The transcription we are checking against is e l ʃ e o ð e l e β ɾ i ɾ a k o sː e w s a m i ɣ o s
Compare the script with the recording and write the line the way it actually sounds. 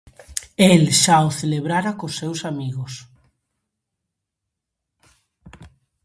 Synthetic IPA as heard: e l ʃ a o θ e l e β ɾ a ɾ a k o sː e w s a m i ɣ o s